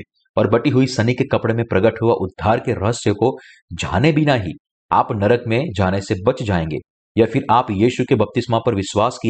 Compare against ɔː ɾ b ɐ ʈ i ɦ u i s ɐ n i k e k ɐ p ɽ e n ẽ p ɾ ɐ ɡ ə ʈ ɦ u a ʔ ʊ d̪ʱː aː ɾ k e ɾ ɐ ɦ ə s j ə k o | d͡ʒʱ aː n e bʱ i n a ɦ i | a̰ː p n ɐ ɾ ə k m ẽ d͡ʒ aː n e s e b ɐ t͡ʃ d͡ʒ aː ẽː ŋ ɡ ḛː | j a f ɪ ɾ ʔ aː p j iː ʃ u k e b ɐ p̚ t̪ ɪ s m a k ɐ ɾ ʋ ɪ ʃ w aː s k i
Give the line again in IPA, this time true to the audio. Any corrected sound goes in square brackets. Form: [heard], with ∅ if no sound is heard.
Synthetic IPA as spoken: ɔː ɾ b ɐ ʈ i ɦ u i s ɐ n i k e k ɐ p ɽ e [m] ẽ p ɾ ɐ ɡ ə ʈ ɦ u a ʔ ʊ d̪ʱː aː ɾ k e ɾ ɐ ɦ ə s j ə k o | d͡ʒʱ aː n e bʱ i n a ɦ i | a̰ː p n ɐ ɾ ə k m ẽ d͡ʒ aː n e s e b ɐ t͡ʃ d͡ʒ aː ẽː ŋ ɡ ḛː | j a f ɪ ɾ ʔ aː p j iː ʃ u k e b ɐ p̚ t̪ ɪ s m a [p] ɐ ɾ ʋ ɪ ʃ w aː s k i